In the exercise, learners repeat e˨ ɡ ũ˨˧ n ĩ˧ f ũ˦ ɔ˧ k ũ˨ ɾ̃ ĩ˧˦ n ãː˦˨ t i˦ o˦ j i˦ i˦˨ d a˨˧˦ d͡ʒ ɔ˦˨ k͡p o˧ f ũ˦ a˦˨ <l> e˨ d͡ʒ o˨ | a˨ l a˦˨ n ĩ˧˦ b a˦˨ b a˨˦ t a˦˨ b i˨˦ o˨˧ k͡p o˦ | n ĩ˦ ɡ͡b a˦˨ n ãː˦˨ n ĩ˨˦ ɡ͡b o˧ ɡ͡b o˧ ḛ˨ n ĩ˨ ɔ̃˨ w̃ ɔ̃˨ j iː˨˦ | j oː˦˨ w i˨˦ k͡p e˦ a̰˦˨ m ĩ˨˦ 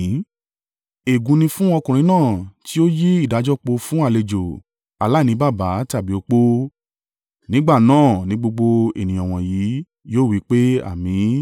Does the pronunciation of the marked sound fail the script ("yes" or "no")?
no